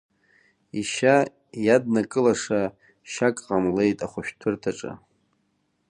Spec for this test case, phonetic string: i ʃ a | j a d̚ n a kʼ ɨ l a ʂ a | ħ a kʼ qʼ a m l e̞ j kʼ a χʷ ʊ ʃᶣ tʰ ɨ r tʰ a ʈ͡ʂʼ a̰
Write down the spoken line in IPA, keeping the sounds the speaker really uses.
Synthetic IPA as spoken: i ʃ a | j a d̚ n a kʼ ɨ l a ʂ a | ʃ a kʼ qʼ a m l e̞ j tʼ a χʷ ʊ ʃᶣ tʰ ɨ r tʰ a ʈ͡ʂʼ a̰